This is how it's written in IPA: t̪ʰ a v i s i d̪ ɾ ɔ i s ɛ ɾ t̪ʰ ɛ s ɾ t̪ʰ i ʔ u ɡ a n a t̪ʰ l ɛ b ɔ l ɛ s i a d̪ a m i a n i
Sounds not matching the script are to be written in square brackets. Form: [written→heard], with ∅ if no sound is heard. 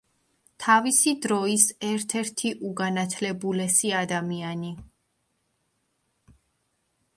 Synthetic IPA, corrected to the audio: t̪ʰ a v i s i d̪ ɾ ɔ i s ɛ ɾ t̪ʰ ɛ [s→∅] ɾ t̪ʰ i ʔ u ɡ a n a t̪ʰ l ɛ b [ɔ→u] l ɛ s i a d̪ a m i a n i